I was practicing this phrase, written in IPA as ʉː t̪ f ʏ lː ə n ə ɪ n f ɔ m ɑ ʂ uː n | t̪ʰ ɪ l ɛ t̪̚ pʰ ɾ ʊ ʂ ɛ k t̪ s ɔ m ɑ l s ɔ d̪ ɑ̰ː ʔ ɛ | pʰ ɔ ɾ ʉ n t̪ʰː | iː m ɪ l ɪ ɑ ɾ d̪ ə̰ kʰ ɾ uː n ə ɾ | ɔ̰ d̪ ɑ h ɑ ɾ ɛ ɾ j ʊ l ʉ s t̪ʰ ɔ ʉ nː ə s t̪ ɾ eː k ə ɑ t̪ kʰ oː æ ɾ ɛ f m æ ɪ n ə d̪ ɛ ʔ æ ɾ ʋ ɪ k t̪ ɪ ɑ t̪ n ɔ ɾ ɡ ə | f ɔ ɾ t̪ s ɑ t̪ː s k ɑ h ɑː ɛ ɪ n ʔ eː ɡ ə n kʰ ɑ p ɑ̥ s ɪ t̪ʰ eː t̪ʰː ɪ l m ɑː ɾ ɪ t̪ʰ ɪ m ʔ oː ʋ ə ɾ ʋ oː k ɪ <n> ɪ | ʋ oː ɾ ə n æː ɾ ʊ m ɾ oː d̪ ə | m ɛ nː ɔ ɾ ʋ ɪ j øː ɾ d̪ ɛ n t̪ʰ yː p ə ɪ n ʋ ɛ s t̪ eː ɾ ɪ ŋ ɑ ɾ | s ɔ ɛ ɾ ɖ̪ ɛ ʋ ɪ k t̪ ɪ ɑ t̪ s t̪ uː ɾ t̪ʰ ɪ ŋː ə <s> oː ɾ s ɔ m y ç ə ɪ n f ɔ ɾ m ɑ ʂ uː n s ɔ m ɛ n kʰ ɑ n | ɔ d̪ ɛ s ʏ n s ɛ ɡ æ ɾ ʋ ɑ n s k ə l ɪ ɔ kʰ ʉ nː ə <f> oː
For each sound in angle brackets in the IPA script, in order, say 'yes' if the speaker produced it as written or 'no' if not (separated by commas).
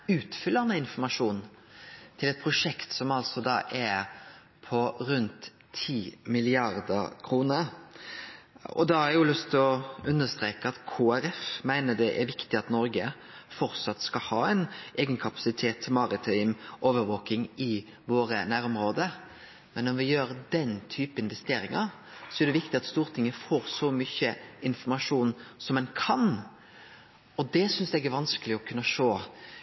no, no, no